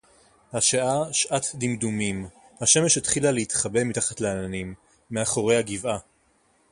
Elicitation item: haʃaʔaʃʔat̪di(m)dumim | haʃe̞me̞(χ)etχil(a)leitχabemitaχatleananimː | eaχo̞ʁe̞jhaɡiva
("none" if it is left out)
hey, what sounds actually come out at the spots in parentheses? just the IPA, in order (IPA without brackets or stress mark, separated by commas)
m, ʃ, a